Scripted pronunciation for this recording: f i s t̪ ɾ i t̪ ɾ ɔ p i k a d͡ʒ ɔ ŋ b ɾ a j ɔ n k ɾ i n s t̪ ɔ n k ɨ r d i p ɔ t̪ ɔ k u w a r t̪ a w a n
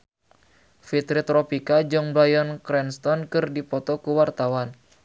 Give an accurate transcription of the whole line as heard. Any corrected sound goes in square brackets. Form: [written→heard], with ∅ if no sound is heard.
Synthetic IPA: f i [s→∅] t̪ ɾ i t̪ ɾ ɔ p i k a d͡ʒ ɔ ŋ b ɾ a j ɔ n k ɾ [i→ɛ] n s t̪ ɔ n k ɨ r d i p ɔ t̪ ɔ k u w a r t̪ a w a n